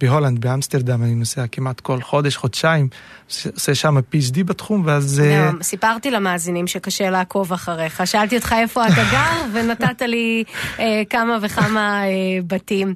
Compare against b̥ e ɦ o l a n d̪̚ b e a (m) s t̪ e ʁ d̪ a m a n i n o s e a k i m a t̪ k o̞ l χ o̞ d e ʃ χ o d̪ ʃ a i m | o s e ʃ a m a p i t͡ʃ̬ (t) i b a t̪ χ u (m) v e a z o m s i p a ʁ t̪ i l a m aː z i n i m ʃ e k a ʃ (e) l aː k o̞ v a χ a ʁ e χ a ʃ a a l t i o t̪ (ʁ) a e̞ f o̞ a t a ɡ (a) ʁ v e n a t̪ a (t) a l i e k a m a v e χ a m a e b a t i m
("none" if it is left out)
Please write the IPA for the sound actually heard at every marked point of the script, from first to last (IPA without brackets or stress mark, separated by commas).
m, d, m, e, χ, a, t